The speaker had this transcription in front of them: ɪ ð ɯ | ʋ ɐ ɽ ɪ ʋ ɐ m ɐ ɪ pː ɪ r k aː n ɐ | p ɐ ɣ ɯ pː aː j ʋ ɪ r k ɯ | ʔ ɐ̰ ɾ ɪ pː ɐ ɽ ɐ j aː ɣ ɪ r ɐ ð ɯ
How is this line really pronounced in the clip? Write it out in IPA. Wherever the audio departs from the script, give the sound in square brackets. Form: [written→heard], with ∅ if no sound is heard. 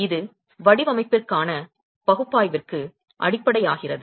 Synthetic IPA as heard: ɪ ð ɯ | ʋ ɐ ɽ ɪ ʋ ɐ m ɐ ɪ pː ɪ r k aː n ɐ | p ɐ ɣ ɯ pː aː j ʋ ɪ r k ɯ | ʔ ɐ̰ [ɾ→ɽ] ɪ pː ɐ ɽ ɐ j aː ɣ ɪ r ɐ ð ɯ

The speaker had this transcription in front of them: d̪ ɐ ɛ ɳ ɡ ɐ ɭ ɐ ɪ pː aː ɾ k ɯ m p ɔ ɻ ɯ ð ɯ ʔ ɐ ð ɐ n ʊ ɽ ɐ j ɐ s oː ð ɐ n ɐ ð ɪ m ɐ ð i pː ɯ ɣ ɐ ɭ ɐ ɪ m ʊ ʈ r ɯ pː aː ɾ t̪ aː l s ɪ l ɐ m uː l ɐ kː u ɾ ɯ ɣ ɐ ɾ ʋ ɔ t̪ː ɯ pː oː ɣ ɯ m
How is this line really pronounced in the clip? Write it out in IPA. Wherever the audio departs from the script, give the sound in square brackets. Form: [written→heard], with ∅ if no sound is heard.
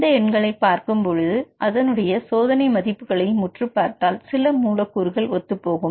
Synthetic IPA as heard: d̪ ɐ ɛ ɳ ɡ ɐ ɭ ɐ ɪ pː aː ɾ k ɯ m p ɔ ɻ ɯ ð ɯ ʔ ɐ ð ɐ n [ʊ→ɯ] ɽ ɐ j ɐ s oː ð ɐ n ɐ [ð→∅] ɪ m ɐ ð [i→ɪ] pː ɯ ɣ ɐ ɭ ɐ ɪ m ʊ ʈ r ɯ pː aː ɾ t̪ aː l s ɪ l ɐ m uː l ɐ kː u ɾ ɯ ɣ ɐ [ɾ→ɭ] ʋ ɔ t̪ː ɯ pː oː ɣ ɯ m

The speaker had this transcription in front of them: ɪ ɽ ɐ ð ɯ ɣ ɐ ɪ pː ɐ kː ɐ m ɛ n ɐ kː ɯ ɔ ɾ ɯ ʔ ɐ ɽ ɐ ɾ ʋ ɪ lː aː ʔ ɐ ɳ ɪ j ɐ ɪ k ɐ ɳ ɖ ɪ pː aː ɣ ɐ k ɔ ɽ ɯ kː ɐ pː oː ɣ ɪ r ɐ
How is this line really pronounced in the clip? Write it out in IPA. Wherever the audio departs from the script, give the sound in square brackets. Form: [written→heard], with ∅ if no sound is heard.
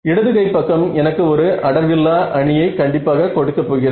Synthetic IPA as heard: ɪ ɽ ɐ ð ɯ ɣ ɐ ɪ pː ɐ kː ɐ m ɛ n ɐ kː ɯ ɔ ɾ ɯ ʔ ɐ ɽ ɐ ɾ ʋ ɪ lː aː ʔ ɐ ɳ ɪ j ɐ ɪ k ɐ ɳ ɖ ɪ pː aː ɣ ɐ k ɔ ɽ ɯ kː ɐ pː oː ɣ ɪ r ɐ

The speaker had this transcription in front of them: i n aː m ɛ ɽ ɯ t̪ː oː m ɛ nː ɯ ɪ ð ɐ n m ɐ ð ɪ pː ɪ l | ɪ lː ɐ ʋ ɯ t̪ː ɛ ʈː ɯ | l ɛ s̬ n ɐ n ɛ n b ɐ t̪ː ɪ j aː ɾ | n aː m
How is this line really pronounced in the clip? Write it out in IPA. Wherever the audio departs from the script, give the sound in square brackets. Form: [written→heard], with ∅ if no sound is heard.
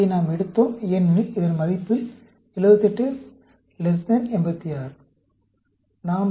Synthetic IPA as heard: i n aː m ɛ ɽ ɯ t̪ː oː m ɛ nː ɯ ɪ ð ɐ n m ɐ ð ɪ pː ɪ l | ɪ [lː→l] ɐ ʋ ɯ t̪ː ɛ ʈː ɯ | l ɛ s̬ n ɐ n ɛ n b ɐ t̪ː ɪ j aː ɾ | n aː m

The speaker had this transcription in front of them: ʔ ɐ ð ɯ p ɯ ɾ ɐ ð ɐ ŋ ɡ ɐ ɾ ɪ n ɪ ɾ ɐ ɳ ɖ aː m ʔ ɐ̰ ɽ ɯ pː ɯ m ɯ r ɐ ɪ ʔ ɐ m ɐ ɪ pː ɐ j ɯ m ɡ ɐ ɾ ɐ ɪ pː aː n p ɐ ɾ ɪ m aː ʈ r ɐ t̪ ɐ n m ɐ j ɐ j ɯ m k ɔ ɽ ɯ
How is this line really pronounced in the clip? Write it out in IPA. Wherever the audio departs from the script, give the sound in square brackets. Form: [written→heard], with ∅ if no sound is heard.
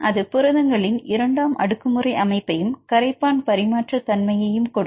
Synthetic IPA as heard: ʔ ɐ ð ɯ p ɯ ɾ ɐ ð ɐ ŋ ɡ ɐ [ɾ→ɭ] ɪ n ɪ ɾ ɐ ɳ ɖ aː m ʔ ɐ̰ ɽ ɯ [pː→kː] ɯ m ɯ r ɐ ɪ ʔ ɐ m ɐ ɪ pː ɐ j ɯ m [ɡ→k] ɐ ɾ ɐ ɪ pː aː n p ɐ ɾ ɪ m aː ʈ r ɐ t̪ ɐ n m ɐ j ɐ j ɯ m k ɔ ɽ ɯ

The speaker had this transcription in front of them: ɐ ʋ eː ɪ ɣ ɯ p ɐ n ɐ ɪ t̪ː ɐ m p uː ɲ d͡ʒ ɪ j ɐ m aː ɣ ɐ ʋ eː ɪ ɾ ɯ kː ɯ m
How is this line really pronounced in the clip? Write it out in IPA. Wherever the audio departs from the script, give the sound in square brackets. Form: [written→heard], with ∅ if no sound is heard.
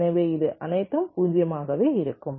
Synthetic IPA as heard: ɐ ʋ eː ɪ [ɣ→ð] ɯ [p→ʔ] ɐ n ɐ ɪ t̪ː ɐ m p uː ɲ d͡ʒ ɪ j ɐ m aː ɣ ɐ ʋ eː ɪ ɾ ɯ kː ɯ m

